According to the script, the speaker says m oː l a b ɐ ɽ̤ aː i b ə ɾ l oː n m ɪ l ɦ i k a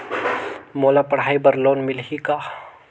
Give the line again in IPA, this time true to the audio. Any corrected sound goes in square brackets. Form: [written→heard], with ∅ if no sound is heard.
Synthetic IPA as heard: m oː l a [b→p] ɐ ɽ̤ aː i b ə ɾ l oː n m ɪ l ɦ i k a

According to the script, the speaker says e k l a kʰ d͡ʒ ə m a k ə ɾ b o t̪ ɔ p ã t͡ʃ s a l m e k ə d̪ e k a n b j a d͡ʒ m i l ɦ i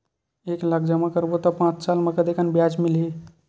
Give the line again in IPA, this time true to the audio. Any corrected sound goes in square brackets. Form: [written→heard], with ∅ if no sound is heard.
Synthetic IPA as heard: e k l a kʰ d͡ʒ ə m a k ə ɾ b o t̪ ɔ p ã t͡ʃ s a l m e k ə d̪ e k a n b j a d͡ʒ m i l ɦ i

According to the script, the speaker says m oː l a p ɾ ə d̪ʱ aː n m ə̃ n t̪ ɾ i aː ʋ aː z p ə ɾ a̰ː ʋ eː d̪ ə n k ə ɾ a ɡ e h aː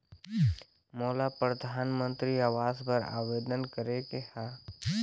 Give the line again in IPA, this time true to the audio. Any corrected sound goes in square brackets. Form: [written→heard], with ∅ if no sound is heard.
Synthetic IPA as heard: m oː l a p ɾ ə d̪ʱ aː n m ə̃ n t̪ ɾ i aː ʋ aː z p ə ɾ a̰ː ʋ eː d̪ ə n k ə ɾ [a→e] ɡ e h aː

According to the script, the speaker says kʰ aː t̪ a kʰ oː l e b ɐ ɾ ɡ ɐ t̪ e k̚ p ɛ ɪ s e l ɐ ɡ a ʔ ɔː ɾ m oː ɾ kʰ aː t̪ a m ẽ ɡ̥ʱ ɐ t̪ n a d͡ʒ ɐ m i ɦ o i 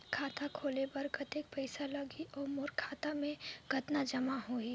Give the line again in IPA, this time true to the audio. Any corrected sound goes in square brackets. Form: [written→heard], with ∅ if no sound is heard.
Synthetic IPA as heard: kʰ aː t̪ a kʰ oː l e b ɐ ɾ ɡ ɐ t̪ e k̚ p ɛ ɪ s [e→a] l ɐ ɡ [a→i] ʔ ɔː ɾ m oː ɾ kʰ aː t̪ a m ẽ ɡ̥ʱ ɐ t̪ n a d͡ʒ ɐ m [i→a] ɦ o i

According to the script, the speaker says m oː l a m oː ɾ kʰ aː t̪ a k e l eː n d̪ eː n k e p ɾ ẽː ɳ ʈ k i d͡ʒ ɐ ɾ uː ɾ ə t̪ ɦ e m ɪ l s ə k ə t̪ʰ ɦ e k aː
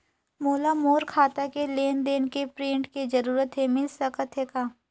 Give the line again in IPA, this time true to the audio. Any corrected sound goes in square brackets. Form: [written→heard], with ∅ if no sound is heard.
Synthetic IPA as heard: m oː l a m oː ɾ kʰ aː t̪ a k e l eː n d̪ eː n k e p ɾ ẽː ɳ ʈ k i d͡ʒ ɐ ɾ uː ɾ ə t̪ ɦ e m ɪ l s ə k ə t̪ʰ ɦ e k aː

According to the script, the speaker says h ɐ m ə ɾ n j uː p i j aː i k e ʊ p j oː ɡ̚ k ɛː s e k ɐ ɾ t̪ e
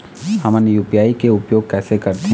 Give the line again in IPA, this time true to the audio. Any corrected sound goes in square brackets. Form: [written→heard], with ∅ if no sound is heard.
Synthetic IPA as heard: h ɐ m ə [ɾ→∅] n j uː p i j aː i k e ʊ p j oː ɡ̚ k ɛː s e k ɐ ɾ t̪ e

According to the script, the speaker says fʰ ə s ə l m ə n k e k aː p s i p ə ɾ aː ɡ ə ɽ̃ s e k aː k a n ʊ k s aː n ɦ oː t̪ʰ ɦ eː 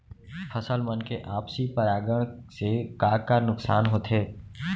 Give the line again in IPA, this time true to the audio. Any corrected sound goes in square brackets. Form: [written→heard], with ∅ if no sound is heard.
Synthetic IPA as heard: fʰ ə s ə l m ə n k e [k→ʔ] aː p s i p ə ɾ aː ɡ ə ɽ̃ s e k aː k a n ʊ k s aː n ɦ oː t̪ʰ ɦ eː

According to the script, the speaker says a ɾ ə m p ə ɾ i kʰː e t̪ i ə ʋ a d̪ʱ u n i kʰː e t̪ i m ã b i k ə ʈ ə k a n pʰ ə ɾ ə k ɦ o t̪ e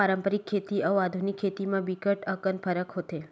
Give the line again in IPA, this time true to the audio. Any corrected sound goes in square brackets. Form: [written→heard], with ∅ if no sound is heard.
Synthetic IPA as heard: a ɾ ə m p ə ɾ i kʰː e t̪ i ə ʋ a d̪ʱ u n i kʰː e t̪ i m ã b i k ə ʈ ə k [a→ə] n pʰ ə ɾ ə k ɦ o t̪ e

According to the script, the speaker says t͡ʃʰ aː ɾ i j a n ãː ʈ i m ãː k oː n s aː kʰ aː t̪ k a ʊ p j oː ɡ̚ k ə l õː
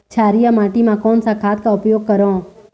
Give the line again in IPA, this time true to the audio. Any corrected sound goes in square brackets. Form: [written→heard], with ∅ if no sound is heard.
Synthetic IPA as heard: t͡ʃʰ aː ɾ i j a [n→m] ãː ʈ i m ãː k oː n s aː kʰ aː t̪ k a ʊ p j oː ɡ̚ k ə [l→ɾ] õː

